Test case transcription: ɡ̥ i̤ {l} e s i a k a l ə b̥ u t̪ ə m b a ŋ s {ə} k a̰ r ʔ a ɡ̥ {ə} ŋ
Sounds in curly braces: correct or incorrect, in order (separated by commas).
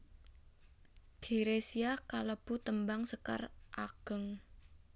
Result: incorrect, correct, correct